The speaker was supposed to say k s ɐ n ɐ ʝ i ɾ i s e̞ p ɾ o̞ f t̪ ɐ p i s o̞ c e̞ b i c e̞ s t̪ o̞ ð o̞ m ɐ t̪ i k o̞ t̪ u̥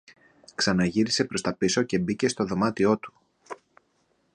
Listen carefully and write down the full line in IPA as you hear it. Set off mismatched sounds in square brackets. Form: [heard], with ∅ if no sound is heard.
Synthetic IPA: k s ɐ n ɐ ʝ i ɾ i s e̞ p ɾ o̞ [s] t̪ ɐ p i s o̞ c e̞ b i c e̞ s t̪ o̞ ð o̞ m ɐ t̪ i [∅] o̞ t̪ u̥